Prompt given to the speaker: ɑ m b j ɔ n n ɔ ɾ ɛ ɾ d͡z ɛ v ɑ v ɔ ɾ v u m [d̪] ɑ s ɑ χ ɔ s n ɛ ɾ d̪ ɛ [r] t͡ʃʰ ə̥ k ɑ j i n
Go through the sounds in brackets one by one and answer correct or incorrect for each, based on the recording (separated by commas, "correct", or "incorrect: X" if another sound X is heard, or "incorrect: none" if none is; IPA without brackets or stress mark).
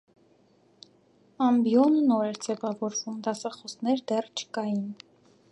correct, correct